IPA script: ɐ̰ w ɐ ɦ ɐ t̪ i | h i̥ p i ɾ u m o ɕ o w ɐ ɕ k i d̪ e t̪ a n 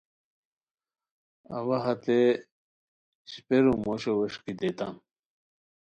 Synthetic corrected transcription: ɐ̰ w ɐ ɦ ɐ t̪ e | ɕ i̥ p e ɾ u m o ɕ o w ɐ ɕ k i d̪ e t̪ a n